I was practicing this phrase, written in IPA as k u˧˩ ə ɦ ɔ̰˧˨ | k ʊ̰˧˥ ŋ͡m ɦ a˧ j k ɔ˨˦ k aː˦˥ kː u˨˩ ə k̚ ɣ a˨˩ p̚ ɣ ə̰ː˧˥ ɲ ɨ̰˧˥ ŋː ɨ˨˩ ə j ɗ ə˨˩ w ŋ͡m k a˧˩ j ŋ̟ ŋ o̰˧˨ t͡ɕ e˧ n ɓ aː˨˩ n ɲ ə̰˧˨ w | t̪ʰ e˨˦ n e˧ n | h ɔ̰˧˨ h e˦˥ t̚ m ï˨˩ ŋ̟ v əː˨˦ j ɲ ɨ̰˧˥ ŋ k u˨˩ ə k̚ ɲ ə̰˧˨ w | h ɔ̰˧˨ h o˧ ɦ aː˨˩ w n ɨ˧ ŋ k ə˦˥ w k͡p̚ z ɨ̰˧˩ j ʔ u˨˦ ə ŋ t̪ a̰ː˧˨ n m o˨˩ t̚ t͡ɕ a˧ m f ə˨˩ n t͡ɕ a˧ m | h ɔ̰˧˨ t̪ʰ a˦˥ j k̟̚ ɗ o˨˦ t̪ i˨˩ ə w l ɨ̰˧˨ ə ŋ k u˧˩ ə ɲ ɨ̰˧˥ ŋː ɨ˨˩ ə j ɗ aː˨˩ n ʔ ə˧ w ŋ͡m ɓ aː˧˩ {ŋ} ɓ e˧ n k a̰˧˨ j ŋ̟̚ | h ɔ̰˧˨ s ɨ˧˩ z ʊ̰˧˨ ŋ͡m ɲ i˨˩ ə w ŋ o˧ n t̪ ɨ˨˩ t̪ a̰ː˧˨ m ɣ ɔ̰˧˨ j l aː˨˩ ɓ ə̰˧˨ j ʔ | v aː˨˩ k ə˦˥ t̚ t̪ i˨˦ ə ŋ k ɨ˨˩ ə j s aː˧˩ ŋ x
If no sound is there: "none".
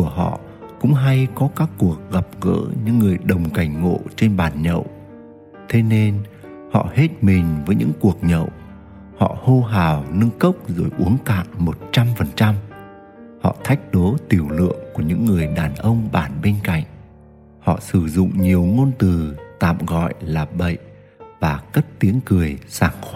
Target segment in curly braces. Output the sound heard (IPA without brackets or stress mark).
n